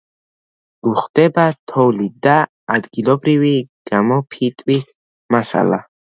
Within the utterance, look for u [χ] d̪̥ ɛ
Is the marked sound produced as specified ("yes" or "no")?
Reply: yes